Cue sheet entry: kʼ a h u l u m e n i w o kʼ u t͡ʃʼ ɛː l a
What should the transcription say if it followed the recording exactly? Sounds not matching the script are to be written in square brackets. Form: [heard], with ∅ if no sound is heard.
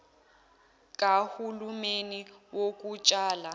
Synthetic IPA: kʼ a h u l u m e n i w o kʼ u t͡ʃʼ [aː] l a

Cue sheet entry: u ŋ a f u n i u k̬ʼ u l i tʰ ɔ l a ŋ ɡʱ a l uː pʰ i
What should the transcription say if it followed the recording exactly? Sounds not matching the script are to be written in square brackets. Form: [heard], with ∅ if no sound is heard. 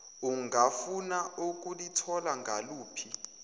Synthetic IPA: u ŋ a f u n [a] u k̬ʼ u l i tʰ ɔ l a ŋ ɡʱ a l uː pʰ i

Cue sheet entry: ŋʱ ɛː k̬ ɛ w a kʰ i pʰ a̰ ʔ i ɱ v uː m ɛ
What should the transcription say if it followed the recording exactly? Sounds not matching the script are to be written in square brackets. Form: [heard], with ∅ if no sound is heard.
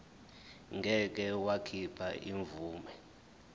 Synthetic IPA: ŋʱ [ɛ] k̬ ɛ w a kʰ i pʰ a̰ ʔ i ɱ v uː m ɛ

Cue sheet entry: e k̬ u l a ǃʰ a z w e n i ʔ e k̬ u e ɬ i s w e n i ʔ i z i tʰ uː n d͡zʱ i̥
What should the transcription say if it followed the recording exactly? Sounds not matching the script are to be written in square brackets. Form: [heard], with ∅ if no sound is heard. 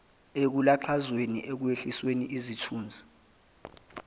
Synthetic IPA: e k̬ u l a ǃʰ a z w e n i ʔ e k̬ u e ɬ i s w e n i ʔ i z i tʰ uː n d͡zʱ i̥

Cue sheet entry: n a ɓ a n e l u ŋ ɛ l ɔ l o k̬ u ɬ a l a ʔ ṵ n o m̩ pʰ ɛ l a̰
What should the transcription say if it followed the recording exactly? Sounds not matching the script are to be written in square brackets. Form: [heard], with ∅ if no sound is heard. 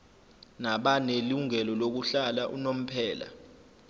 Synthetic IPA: n a ɓ a n e l u ŋ ɛ l ɔ l o k̬ u ɬ a l a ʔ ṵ n o m̩ pʰ [ɛː] l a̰

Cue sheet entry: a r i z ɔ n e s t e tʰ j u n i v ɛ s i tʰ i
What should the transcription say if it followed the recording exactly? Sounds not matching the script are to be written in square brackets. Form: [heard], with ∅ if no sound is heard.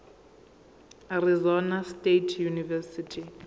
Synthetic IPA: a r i z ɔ n [a] s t e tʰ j u n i v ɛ s i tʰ i

